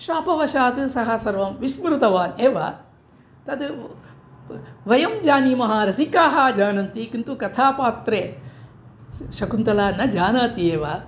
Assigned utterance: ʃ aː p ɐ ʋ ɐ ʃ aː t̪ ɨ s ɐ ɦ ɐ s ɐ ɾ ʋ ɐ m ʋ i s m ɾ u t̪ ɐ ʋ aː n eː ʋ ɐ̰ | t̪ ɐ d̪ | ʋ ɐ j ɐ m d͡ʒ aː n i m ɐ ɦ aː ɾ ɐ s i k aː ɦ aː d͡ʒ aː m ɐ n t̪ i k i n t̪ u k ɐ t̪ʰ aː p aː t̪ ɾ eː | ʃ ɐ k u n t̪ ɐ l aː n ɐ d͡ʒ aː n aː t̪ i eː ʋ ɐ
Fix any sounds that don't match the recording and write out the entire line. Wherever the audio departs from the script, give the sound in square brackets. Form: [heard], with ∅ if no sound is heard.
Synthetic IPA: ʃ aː p ɐ ʋ ɐ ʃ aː t̪ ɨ s ɐ ɦ ɐ s ɐ ɾ ʋ ɐ m ʋ i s m ɾ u t̪ ɐ ʋ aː n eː ʋ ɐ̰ | t̪ ɐ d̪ | ʋ ɐ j ɐ m d͡ʒ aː n i m ɐ ɦ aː ɾ ɐ s i k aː ɦ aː d͡ʒ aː [n] ɐ n t̪ i k i n t̪ u k ɐ t̪ʰ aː p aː t̪ ɾ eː | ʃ ɐ k u n t̪ ɐ l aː n ɐ d͡ʒ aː n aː t̪ i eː ʋ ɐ